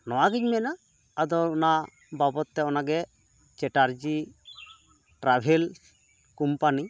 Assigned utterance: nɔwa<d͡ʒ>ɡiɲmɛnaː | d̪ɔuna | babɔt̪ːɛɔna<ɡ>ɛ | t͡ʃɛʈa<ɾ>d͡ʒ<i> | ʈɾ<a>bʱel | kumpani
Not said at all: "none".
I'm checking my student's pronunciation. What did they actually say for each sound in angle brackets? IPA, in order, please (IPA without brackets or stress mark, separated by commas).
none, ɡ, ɾ, i, a